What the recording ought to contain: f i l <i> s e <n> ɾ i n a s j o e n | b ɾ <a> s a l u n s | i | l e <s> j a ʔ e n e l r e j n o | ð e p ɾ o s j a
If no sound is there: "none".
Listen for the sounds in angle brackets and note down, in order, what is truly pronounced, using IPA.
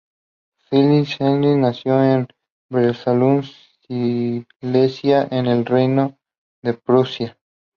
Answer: i, n, e, s

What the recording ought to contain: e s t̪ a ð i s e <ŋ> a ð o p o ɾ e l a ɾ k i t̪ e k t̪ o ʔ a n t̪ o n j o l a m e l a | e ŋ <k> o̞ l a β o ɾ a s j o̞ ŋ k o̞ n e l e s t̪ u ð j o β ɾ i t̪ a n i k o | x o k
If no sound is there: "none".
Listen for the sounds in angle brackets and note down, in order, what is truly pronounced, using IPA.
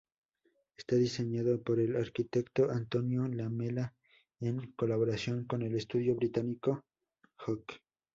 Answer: ɲ, k

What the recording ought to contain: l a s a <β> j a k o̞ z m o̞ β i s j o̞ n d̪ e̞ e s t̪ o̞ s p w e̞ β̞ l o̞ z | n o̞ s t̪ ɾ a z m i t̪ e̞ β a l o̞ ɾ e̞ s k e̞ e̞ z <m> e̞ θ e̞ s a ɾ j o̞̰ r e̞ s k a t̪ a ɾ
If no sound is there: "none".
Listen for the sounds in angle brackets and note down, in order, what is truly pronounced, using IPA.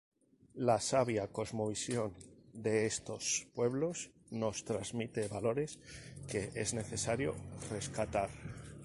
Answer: β, n

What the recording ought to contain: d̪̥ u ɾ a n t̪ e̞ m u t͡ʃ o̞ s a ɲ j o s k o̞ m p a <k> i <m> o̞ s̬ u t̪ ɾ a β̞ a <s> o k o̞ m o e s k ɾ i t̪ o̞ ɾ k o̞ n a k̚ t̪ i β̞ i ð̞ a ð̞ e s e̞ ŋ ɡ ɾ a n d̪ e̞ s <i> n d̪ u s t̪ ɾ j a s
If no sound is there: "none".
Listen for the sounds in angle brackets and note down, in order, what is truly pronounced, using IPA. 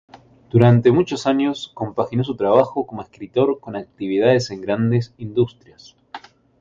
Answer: x, n, x, i

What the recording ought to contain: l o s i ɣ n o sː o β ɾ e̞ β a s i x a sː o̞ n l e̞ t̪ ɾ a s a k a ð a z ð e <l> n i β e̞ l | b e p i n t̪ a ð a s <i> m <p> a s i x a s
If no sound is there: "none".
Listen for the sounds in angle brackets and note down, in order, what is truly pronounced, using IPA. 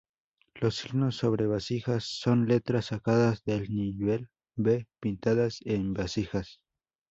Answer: l, e, b

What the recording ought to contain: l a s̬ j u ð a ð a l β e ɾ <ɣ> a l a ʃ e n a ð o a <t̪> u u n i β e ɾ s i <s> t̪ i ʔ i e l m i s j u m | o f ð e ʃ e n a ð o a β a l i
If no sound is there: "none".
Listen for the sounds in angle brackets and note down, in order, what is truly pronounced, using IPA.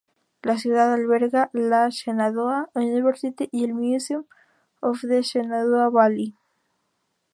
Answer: ɣ, none, none

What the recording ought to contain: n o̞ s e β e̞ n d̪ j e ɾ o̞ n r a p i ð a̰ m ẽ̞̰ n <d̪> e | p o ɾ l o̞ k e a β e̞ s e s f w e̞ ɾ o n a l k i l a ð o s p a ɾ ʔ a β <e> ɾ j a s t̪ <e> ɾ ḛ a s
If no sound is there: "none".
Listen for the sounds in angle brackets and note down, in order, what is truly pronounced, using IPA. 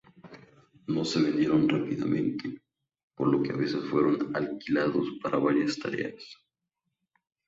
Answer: t̪, a, a

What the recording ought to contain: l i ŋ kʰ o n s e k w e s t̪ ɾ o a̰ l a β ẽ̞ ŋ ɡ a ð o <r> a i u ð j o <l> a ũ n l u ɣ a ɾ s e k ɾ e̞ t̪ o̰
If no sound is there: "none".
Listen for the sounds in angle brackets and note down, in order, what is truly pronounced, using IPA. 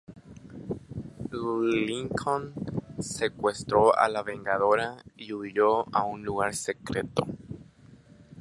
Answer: ɾ, none

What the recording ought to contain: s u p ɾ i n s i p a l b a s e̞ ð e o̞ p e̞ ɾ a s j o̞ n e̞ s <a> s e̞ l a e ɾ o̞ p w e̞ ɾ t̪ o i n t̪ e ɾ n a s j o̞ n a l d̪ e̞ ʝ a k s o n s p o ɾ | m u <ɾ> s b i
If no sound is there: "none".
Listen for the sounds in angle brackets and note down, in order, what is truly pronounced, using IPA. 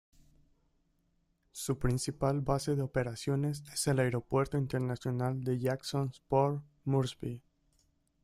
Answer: e, ɾ

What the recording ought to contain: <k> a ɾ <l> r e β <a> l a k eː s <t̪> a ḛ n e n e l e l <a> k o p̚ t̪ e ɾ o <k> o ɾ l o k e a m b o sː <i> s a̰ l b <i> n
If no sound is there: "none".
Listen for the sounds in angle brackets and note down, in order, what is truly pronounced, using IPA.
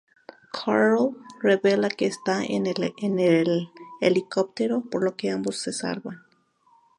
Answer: kʰ, l, e, t̪, i, p, e, a

